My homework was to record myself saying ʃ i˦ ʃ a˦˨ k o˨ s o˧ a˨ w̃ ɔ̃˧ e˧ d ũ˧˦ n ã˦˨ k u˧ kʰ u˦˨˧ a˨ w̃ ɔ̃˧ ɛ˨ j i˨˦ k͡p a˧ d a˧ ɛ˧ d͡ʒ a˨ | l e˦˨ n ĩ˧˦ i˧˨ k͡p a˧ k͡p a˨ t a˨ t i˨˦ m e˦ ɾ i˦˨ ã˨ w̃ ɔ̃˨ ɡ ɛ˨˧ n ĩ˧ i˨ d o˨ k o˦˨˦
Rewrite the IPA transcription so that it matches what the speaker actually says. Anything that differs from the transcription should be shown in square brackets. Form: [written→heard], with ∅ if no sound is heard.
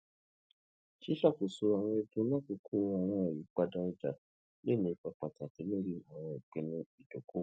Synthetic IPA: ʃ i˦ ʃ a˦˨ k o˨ s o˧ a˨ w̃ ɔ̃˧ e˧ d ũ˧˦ n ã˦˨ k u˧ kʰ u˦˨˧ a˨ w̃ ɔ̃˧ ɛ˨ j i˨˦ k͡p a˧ d a˧ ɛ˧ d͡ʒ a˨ | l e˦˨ n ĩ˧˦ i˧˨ k͡p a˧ k͡p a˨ t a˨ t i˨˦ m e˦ ɾ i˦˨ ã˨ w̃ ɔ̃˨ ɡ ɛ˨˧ n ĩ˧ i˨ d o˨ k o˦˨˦